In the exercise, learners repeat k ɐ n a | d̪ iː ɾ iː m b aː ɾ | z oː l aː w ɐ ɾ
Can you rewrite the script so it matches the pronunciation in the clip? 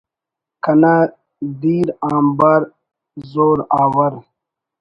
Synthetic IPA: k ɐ n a | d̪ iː ɾ aː m b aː ɾ | z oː ɾ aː w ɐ ɾ